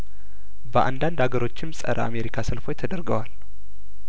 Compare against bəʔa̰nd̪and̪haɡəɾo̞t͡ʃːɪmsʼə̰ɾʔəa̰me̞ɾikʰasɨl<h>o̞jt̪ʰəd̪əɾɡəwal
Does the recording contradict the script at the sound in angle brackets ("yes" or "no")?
yes